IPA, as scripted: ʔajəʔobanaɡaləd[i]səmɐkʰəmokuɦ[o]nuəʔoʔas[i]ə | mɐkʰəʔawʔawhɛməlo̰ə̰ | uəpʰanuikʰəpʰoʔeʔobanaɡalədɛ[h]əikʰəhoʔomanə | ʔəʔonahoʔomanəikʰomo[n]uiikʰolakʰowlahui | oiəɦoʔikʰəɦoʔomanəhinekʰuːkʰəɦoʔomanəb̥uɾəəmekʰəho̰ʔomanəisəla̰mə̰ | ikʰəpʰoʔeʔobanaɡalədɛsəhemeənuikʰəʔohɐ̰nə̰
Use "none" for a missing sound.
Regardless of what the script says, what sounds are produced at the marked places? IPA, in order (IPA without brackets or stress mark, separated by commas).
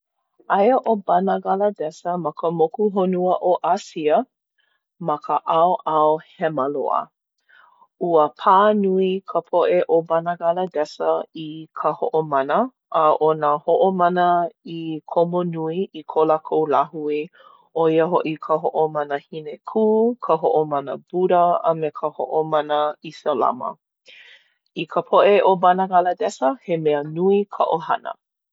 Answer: ɛ, o, i, s, n